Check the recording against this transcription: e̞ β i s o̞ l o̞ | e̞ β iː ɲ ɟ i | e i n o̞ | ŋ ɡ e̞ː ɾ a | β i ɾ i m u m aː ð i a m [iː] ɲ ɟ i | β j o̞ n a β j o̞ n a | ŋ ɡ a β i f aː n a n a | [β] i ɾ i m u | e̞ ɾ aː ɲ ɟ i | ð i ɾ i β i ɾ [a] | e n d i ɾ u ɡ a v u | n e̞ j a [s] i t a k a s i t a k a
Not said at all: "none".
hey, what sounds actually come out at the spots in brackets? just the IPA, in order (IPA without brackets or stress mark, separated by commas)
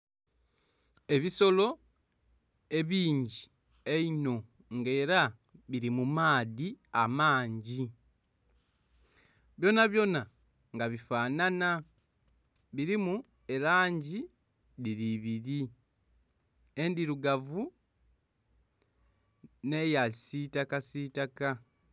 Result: aː, β, i, s